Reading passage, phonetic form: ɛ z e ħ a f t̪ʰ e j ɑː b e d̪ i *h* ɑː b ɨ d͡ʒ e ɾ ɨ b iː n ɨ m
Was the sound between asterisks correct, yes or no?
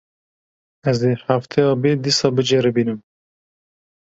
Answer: no